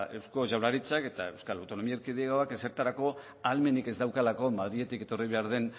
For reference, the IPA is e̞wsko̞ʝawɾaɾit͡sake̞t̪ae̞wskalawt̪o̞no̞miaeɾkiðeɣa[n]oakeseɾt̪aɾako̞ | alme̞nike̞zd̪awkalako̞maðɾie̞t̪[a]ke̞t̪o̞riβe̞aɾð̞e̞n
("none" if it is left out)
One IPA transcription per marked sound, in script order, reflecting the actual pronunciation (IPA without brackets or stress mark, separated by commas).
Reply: none, i